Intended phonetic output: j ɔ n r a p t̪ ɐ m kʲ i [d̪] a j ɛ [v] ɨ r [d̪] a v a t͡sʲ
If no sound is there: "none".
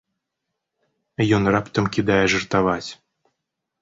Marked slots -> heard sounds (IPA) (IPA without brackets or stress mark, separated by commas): d̪, ʐ, t̪